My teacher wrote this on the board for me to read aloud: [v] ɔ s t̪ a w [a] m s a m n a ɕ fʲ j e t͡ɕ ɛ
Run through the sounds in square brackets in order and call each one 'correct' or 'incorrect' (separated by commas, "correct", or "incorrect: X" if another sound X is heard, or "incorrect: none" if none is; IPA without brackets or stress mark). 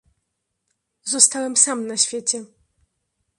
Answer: incorrect: z, incorrect: ɛ